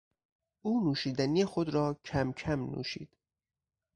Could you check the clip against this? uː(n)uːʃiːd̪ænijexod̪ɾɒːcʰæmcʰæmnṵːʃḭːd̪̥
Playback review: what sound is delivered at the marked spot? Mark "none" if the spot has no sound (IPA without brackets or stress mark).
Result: n